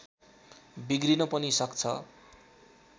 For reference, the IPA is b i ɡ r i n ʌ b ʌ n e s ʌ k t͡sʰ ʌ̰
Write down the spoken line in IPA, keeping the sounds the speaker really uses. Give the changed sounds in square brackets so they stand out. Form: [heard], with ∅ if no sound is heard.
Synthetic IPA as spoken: b i ɡ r i n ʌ [p] ʌ n [i] s ʌ k t͡sʰ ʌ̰